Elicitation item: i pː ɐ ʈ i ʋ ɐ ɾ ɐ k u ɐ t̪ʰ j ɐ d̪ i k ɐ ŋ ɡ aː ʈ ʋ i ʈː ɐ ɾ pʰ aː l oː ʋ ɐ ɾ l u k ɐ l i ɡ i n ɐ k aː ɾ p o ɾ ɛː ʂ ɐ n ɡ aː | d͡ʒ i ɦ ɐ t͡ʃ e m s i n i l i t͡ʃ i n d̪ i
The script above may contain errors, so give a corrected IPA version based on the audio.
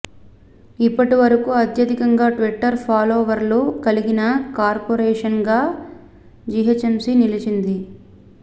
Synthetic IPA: i pː ɐ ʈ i ʋ ɐ ɾ ɐ k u ɐ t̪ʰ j ɐ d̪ i k ɐ ŋ ɡ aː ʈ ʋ i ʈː ɐ ɾ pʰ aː l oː ʋ ɐ ɾ l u k ɐ l i ɡ i n ɐ k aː ɾ p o ɾ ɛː ʂ ɐ n ɡ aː | d͡ʒ i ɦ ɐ t͡ʃ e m s i n i l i t͡ʃ i n d̪ i